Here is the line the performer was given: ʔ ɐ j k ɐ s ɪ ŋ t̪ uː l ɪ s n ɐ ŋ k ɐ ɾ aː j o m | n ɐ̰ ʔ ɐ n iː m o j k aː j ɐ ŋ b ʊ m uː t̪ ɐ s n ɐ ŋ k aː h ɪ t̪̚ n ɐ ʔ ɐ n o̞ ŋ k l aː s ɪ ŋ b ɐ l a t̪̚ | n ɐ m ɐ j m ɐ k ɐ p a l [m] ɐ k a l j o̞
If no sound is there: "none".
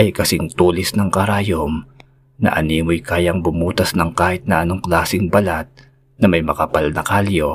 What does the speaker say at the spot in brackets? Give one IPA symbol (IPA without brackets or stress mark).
n